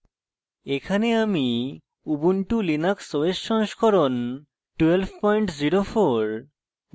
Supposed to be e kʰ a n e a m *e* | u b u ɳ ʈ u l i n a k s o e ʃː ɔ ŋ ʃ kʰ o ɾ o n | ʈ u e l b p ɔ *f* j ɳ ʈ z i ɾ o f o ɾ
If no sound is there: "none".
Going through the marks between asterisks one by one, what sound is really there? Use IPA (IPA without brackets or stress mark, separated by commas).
i, none